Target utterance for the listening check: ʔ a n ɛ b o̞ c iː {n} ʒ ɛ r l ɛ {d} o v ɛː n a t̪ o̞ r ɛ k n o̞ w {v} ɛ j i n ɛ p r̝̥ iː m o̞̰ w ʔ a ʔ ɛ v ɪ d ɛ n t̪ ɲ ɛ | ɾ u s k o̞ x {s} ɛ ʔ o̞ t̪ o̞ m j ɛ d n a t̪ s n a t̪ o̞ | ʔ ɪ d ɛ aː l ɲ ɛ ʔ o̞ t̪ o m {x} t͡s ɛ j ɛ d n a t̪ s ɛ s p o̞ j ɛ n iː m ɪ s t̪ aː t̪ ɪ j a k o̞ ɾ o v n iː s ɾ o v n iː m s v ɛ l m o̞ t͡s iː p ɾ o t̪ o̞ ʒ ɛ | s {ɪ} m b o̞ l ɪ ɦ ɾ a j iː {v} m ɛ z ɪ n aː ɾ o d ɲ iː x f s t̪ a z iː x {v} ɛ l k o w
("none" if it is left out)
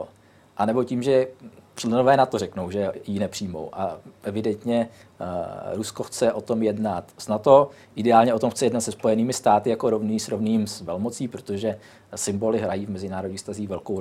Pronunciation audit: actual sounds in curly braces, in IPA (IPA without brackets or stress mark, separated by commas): m, n, ʒ, t͡s, x, ɪ, v, v